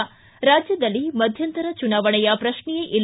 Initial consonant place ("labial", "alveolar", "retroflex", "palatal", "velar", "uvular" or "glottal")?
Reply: alveolar